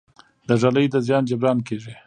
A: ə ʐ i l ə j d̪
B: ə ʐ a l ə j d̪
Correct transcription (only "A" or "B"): B